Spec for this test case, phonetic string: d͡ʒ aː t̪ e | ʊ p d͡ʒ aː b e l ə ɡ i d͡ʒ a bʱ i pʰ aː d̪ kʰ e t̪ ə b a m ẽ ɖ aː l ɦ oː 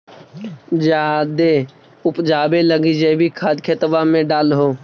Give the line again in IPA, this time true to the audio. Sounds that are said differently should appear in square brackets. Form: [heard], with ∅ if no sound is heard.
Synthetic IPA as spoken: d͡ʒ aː [d̪] e | ʊ p d͡ʒ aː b e l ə ɡ i d͡ʒ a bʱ i [kʰ] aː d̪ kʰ e t̪ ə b a m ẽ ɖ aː l ɦ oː